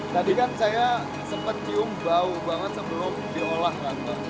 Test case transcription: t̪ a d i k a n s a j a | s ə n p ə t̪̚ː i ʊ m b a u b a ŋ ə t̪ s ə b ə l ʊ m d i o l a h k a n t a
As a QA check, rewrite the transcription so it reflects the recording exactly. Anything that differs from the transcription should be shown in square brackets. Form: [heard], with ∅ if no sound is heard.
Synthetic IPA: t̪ a d i k a n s a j a | s ə [m] p ə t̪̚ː i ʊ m b a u b a ŋ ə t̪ s ə b ə l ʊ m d i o l a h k a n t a